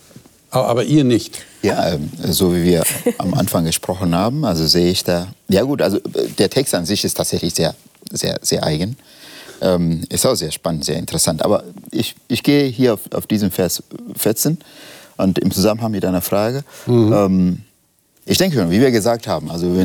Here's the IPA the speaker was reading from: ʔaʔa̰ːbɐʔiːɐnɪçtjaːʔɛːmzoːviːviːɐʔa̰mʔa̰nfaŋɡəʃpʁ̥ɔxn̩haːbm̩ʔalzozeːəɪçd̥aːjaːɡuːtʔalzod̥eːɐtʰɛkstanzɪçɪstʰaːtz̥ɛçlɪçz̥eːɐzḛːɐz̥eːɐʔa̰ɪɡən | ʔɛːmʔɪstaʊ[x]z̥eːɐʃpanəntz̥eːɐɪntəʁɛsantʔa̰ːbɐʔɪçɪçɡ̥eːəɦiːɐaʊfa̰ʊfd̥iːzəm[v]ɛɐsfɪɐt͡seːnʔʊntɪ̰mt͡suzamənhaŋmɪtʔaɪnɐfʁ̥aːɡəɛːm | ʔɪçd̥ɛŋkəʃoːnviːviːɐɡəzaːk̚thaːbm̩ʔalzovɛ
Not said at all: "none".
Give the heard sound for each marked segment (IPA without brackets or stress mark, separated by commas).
x, f